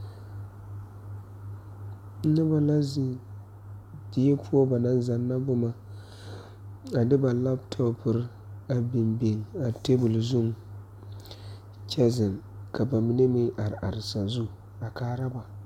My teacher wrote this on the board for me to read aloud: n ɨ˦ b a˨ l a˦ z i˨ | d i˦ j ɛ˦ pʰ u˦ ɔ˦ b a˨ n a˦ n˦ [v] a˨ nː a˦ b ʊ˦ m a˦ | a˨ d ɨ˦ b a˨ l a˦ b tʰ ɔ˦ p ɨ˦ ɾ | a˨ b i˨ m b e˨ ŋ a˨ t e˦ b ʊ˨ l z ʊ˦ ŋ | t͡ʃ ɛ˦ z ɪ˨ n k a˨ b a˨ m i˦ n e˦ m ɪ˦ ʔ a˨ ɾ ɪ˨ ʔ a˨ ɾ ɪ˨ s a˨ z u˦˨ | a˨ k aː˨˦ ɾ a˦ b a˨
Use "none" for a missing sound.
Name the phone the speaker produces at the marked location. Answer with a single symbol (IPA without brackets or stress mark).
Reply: z